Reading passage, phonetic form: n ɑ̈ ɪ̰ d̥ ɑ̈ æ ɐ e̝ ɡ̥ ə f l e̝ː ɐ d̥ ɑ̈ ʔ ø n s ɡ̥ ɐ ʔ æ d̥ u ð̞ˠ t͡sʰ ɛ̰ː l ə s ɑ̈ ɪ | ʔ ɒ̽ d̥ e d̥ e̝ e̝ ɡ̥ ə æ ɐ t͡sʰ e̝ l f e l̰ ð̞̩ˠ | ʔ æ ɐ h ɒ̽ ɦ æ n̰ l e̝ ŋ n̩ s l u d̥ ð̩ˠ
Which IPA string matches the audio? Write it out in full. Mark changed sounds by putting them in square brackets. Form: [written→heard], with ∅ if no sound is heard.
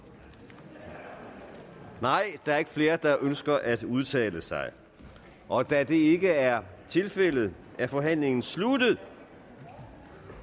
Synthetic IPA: n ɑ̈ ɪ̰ d̥ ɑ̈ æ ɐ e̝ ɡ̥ ə f l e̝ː ɐ d̥ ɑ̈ ʔ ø n s ɡ̥ ɐ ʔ æ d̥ u ð̞ˠ t͡sʰ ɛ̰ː l ə s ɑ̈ ɪ | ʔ ɒ̽ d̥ [e→æ] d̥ e̝ e̝ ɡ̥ ə æ ɐ t͡sʰ e̝ l f e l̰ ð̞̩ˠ | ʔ æ ɐ [h→f] ɒ̽ ɦ æ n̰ l e̝ ŋ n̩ s l u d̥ ð̩ˠ